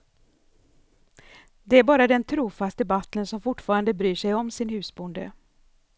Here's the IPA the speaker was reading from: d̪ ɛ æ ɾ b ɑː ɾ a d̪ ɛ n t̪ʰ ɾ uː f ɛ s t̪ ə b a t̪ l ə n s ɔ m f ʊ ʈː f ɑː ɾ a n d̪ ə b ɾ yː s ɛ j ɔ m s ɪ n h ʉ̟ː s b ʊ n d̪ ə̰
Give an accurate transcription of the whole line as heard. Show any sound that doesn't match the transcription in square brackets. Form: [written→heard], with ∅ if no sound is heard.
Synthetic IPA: d̪ ɛ æ ɾ b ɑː ɾ a d̪ ɛ n t̪ʰ ɾ uː f [ɛ→a] s t̪ ə b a t̪ l ə n s ɔ m f ʊ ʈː f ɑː ɾ a n d̪ ə b ɾ yː [s→ʂ] ɛ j ɔ m s ɪ n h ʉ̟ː s b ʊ n d̪ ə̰